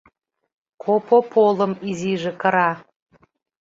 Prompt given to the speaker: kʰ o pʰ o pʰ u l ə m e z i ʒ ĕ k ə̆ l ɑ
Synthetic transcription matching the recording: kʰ o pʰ o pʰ o l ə m i z i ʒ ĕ k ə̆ ɾ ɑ

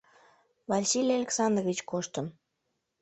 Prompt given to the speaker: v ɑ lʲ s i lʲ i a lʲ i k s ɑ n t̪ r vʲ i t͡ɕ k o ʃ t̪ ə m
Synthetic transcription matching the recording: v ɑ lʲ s i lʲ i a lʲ e k s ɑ n d̪ r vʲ i t͡ɕ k o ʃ t̪ ə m

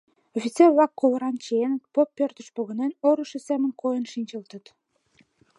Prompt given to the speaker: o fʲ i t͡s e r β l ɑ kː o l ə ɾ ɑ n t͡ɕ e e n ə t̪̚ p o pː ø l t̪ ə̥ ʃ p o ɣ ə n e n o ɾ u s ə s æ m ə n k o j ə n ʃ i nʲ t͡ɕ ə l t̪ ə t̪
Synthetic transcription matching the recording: o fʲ i t͡s e r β l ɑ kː o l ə ɾ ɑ n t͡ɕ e e n ə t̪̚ p o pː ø r t̪ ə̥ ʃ p o ɣ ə n e n o ɾ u ʃ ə s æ m ə n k o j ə n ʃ i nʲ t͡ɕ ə l t̪ ə t̪

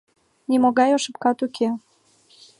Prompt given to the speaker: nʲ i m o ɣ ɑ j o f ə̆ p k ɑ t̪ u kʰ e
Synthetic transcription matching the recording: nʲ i m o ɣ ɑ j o ʃ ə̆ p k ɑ t̪ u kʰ e

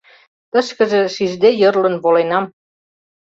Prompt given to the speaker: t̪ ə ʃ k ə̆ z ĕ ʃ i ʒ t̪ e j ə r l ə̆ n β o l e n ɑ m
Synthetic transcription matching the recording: t̪ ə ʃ k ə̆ ʒ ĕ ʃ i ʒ d̪ e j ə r l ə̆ n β o l e n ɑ m

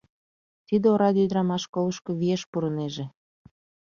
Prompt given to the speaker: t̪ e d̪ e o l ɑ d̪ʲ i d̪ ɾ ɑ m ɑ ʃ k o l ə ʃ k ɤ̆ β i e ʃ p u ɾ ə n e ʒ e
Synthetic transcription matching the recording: t̪ i d̪ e o ɾ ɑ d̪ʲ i d̪ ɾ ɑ m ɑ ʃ k o l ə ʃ k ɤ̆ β i e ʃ p u ɾ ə n e ʒ e

